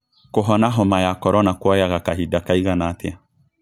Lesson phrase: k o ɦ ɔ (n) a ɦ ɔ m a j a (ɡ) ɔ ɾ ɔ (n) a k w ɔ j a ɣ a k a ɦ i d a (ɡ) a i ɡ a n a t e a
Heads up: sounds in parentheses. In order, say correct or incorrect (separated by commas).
correct, incorrect, correct, incorrect